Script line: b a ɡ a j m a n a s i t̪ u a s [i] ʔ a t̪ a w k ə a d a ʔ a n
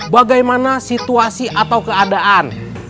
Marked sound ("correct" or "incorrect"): correct